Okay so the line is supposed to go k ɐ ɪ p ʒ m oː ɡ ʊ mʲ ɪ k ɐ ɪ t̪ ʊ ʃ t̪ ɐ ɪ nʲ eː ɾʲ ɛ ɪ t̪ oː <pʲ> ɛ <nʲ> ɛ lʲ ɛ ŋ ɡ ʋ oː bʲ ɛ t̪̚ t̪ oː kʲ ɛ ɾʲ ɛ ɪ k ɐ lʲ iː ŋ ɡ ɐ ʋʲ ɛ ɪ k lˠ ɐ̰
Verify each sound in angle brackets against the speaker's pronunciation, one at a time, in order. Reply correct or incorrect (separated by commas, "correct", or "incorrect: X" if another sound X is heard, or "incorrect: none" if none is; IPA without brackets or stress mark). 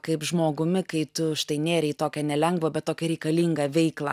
incorrect: kʲ, correct